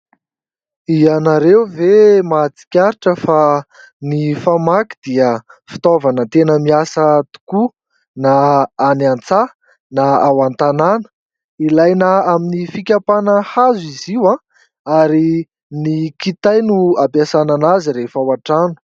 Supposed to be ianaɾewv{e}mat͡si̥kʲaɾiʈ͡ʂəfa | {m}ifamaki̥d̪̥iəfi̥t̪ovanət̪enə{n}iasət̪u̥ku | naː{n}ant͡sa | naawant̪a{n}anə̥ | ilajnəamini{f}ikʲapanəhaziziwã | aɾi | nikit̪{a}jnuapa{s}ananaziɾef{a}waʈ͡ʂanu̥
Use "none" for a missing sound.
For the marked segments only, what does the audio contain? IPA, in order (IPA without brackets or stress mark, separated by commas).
e, n, m, n, n, f, a, s, a